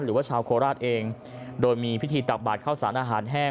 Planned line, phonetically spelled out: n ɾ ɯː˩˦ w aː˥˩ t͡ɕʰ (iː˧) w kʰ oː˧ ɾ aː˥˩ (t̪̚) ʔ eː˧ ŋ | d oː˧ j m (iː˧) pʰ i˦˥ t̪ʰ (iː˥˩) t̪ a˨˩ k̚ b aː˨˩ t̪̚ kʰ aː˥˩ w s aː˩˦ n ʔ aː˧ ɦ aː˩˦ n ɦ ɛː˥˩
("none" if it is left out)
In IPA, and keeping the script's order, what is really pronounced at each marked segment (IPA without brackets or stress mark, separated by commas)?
aː˧, t̪̚, iː˧, iː˧